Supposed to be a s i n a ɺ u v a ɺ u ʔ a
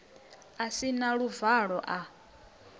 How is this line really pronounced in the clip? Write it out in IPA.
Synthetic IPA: a s i n a ɺ u v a ɺ ɔ ʔ a